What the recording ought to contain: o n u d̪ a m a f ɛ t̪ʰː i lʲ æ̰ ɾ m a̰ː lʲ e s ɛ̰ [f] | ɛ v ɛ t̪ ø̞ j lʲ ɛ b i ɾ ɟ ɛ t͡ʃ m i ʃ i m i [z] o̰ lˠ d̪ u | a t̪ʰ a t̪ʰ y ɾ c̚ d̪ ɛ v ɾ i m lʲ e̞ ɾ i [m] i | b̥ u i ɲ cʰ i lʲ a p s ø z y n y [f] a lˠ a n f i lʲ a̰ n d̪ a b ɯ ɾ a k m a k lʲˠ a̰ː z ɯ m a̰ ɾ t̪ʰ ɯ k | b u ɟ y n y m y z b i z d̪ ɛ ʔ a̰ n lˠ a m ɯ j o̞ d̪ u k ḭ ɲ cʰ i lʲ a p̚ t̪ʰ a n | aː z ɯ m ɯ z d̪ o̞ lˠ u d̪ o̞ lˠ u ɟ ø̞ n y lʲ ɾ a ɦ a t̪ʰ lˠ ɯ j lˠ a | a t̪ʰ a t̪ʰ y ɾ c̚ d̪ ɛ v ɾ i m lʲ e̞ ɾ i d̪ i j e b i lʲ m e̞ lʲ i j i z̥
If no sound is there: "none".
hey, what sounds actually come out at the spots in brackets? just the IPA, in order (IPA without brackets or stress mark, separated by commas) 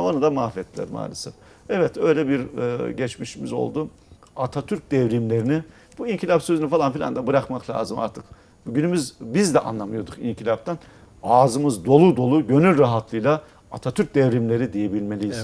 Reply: f, z, n, f